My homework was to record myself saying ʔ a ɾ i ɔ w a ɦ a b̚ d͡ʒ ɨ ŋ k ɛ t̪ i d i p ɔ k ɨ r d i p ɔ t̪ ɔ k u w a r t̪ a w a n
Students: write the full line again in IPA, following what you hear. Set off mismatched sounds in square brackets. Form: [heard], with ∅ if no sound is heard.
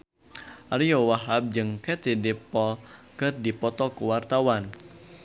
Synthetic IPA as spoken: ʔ a ɾ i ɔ w a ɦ a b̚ d͡ʒ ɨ ŋ k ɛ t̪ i d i p ɔ k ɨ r d i p ɔ t̪ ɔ k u w a r t̪ a w a n

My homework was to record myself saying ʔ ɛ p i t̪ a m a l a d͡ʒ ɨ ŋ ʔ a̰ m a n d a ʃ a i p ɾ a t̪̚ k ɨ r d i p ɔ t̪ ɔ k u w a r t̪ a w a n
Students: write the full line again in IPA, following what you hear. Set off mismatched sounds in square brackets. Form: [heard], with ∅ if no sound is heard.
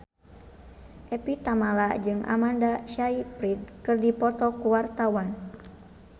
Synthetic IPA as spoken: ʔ ɛ p i t̪ a m a l a d͡ʒ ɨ ŋ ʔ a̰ m a n d a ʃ a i p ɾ [i] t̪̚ k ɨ r d i p ɔ t̪ ɔ k u w a r t̪ a w a n

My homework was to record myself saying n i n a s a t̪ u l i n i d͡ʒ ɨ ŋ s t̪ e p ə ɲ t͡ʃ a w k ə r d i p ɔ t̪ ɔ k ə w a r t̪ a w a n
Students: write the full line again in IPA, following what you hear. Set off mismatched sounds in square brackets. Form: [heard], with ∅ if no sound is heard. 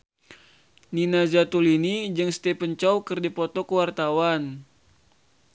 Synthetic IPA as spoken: n i n a [z] a t̪ u l i n i d͡ʒ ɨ ŋ s t̪ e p ə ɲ t͡ʃ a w k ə r d i p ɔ t̪ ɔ k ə w a r t̪ a w a n

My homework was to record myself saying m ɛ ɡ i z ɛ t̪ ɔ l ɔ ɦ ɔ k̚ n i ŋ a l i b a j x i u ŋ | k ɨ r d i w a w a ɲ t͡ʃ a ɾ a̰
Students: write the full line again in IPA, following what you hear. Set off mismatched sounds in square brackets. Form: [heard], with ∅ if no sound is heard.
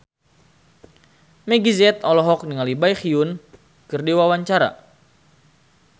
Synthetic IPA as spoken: m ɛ ɡ i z ɛ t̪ ɔ l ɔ ɦ ɔ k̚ n i ŋ a l i b a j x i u [n] | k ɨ r d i w a w a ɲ t͡ʃ a ɾ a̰

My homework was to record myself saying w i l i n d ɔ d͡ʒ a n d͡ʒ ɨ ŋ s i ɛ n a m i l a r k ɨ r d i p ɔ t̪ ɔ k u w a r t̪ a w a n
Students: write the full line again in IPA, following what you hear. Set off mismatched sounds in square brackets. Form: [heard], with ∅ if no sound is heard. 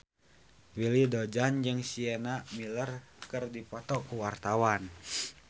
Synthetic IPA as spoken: w i l i [∅] d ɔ d͡ʒ a n d͡ʒ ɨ ŋ s i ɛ n a m i l [ə] r k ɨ r d i p ɔ t̪ ɔ k u w a r t̪ a w a n

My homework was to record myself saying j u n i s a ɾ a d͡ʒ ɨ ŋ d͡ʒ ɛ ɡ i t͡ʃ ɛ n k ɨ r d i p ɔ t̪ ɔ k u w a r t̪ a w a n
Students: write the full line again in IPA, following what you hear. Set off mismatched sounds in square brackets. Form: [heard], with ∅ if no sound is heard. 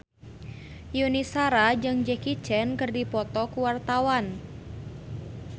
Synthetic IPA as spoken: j u n i s a ɾ a d͡ʒ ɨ ŋ d͡ʒ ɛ [k] i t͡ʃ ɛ n k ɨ r d i p ɔ t̪ ɔ k u w a r t̪ a w a n

